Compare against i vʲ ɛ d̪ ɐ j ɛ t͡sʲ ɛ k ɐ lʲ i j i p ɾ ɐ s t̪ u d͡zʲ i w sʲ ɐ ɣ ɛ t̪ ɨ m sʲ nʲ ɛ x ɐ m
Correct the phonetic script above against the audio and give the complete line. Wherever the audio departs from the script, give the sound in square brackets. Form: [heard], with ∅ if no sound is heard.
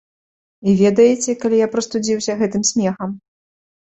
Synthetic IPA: i vʲ ɛ d̪ ɐ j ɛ t͡sʲ ɛ k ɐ lʲ i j [a] p ɾ ɐ s t̪ u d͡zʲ i w sʲ ɐ ɣ ɛ t̪ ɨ m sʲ [mʲ] ɛ x ɐ m